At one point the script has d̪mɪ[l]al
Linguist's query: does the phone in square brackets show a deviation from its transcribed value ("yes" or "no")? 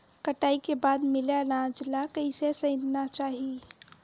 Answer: no